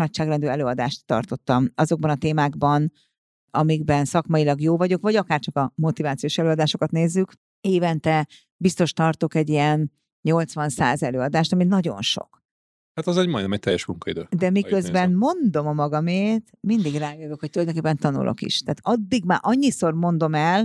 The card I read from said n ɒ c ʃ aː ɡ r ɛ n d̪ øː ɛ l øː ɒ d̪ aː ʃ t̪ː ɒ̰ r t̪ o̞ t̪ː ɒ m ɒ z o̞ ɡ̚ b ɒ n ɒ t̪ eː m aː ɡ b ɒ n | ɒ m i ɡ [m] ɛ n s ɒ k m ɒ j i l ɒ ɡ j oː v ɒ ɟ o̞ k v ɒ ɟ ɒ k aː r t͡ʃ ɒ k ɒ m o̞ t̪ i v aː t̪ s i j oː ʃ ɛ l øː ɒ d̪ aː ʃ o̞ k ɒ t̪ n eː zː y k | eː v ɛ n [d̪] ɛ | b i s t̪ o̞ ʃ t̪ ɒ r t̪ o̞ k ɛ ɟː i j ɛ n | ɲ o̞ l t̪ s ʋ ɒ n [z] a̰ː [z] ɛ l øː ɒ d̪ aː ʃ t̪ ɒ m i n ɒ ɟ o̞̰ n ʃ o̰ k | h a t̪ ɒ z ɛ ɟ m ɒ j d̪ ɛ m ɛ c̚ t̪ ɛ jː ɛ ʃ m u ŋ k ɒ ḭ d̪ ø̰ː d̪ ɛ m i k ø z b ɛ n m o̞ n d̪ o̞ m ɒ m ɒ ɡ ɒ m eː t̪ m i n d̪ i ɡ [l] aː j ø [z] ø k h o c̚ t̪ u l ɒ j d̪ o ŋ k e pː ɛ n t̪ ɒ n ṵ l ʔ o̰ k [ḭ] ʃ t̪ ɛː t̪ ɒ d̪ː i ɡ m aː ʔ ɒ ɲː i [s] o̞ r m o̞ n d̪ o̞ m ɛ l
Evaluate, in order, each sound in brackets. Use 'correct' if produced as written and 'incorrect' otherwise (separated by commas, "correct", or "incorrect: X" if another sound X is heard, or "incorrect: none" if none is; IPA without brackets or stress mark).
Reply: incorrect: b, incorrect: t̪, incorrect: s, correct, incorrect: r, incorrect: v, correct, correct